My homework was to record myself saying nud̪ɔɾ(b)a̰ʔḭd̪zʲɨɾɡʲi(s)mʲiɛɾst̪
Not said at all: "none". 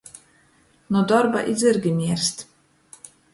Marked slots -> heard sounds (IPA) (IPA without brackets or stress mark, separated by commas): b, none